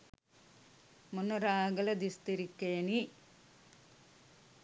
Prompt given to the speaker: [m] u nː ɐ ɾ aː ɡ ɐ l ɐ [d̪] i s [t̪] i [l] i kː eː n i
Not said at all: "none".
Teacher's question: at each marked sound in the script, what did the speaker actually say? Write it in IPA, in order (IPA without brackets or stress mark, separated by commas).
m, d̪, t̪, ɾ